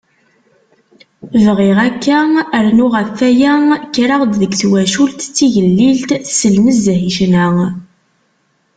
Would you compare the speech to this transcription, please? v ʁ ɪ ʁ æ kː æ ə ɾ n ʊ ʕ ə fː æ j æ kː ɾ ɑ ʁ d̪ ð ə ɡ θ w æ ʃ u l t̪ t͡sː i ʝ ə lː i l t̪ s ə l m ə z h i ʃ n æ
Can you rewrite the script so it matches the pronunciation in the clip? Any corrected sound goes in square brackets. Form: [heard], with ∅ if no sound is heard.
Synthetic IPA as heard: v ʁ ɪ ʁ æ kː æ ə ɾ n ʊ [ʁ] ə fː æ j æ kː ɾ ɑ ʁ d̪ ð ə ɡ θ w æ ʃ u l t̪ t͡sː i ʝ ə lː i l t̪ s ə l m ə z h i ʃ n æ